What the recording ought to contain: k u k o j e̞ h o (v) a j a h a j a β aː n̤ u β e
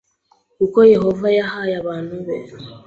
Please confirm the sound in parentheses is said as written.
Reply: yes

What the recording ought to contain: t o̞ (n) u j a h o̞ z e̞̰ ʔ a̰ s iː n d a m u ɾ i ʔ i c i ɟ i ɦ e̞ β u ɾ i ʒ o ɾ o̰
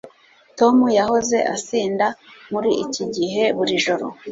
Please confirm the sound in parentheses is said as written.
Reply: no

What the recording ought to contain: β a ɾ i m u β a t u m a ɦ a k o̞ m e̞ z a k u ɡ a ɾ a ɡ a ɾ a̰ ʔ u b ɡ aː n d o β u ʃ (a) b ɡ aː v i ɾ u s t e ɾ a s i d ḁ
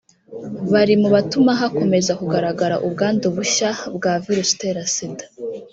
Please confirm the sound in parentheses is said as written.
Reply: yes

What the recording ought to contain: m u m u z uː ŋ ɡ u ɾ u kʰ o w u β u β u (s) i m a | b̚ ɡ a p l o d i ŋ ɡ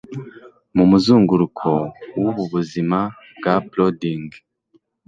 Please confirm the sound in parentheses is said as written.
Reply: no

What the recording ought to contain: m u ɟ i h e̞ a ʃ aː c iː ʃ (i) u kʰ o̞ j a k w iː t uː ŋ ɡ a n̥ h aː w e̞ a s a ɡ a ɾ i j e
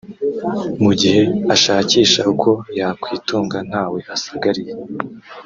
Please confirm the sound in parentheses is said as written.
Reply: no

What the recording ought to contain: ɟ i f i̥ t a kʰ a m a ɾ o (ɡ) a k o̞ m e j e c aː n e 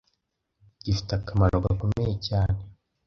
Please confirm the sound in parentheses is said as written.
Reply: yes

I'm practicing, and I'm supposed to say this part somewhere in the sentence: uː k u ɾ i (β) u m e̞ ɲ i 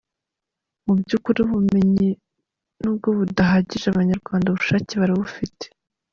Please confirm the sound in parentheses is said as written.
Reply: yes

